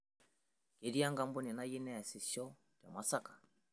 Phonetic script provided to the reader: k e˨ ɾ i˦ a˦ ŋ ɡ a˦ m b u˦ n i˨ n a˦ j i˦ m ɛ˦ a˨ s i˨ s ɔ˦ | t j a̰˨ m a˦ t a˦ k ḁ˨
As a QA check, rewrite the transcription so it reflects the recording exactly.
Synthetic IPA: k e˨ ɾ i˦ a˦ ŋ ɡ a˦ m b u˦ n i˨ n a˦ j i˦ n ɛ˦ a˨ s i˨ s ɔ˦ | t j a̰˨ m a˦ s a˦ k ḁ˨